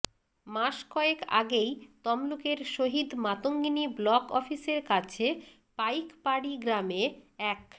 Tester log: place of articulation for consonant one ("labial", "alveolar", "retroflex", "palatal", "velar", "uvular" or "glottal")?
labial